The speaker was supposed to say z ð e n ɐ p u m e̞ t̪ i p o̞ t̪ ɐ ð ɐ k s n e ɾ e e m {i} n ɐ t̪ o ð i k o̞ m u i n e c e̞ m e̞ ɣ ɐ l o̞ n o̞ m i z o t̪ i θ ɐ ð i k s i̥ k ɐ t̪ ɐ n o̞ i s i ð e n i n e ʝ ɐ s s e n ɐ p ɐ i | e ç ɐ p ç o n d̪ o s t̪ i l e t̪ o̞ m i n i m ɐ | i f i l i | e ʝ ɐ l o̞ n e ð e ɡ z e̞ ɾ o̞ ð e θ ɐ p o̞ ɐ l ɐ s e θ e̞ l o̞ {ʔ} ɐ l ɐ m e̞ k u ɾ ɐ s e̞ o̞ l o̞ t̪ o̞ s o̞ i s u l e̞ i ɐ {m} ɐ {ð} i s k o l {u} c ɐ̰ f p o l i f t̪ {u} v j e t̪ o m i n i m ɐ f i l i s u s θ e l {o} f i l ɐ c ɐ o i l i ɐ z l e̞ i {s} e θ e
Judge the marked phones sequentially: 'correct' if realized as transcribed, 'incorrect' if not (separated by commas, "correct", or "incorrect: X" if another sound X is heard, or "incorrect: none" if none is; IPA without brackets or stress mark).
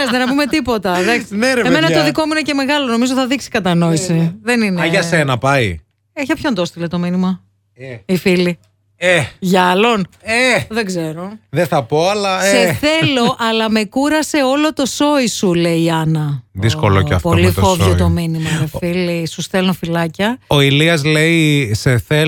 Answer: incorrect: e, correct, incorrect: n, correct, incorrect: o, incorrect: o, correct, correct